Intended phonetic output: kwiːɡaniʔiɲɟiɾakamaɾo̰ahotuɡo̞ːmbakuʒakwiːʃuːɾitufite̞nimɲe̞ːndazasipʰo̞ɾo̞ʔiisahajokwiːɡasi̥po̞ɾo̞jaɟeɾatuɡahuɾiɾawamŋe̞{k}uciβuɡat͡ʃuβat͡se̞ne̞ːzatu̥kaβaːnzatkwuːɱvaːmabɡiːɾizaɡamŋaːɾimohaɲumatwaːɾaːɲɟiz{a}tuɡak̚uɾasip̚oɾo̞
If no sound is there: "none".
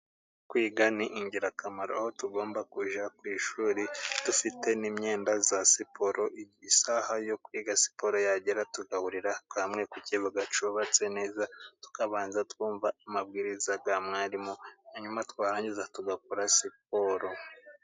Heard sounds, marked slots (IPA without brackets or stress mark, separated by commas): k, a